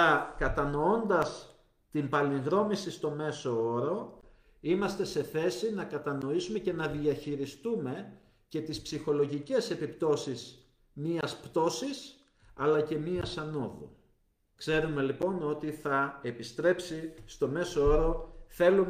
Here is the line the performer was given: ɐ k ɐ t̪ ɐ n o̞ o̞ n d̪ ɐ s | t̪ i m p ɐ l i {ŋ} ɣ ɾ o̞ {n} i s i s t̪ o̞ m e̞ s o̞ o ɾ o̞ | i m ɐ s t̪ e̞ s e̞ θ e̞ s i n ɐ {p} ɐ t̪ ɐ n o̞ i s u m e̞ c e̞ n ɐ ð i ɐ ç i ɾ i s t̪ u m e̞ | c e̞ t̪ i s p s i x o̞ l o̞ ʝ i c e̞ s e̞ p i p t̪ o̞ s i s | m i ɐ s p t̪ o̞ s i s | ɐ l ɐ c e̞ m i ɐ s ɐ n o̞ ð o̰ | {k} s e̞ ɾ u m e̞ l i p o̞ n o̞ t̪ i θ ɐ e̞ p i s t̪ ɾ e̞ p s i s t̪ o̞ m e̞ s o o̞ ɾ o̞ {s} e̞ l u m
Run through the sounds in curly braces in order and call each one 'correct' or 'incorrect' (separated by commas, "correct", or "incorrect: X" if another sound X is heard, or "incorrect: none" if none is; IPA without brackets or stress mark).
correct, incorrect: m, incorrect: k, correct, incorrect: θ